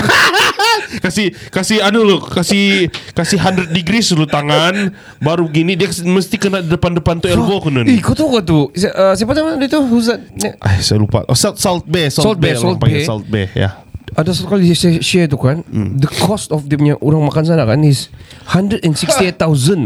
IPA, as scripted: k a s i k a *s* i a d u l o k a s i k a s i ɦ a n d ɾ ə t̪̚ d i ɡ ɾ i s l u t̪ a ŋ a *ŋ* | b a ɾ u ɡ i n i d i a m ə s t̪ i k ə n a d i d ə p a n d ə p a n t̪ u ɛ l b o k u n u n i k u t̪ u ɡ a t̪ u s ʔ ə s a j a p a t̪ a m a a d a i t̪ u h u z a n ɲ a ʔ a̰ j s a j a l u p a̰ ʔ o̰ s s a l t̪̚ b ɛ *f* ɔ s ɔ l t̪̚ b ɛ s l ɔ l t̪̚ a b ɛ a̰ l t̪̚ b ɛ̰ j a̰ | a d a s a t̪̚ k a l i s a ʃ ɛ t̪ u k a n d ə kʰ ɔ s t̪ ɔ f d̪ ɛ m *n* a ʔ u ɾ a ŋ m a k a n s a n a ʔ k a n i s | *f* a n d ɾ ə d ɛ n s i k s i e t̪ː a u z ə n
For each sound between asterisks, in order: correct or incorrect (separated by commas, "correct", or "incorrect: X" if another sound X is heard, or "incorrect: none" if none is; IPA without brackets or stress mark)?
correct, incorrect: n, incorrect: s, incorrect: ɲ, incorrect: h